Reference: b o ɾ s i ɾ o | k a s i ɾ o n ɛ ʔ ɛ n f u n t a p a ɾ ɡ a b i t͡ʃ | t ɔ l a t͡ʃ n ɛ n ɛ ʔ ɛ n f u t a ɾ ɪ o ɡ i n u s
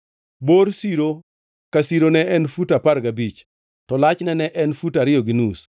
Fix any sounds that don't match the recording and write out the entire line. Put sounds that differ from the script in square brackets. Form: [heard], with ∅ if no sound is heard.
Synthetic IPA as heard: b o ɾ s i ɾ o | k a s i ɾ o n ɛ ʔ ɛ n f u [∅] t a p a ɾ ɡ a b i t͡ʃ | t ɔ l a t͡ʃ n ɛ n ɛ ʔ ɛ n f u t a ɾ ɪ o ɡ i n u s

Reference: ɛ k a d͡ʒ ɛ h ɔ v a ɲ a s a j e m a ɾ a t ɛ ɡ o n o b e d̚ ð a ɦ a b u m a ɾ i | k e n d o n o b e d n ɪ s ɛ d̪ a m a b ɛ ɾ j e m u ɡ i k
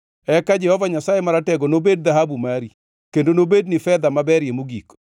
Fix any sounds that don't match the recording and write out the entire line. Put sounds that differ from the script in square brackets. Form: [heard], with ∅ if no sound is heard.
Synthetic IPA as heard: ɛ k a d͡ʒ ɛ h ɔ v a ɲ a s a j e m a ɾ a t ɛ ɡ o n o b e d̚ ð a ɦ a b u m a ɾ i | k e n d o n o b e d n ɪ [f] ɛ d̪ a m a b ɛ ɾ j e m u ɡ i k

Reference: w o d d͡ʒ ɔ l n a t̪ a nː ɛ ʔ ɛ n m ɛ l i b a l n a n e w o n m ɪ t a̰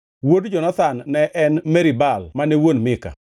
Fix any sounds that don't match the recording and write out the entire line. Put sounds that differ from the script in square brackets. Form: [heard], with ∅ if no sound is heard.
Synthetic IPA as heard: w o d d͡ʒ ɔ [∅] n a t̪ a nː ɛ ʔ ɛ n m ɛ [ɾ] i b a l [m] a n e w o n m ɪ [k] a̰

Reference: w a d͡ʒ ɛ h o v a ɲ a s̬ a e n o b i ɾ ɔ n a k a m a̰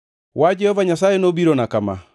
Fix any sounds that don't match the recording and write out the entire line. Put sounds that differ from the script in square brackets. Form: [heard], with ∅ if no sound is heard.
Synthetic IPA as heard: w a d͡ʒ ɛ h [ɔ] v a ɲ a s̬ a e n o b i ɾ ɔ n a k a m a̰

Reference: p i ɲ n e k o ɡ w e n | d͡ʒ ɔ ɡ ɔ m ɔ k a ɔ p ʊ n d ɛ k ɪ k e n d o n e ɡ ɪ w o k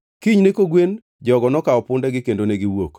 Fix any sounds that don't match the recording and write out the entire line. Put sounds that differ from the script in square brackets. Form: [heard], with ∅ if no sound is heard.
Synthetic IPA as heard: [k] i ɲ n e k o ɡ w e n | d͡ʒ ɔ ɡ ɔ [n] ɔ k a ɔ p ʊ n d ɛ [ɡ] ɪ k e n d o n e ɡ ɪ w o k

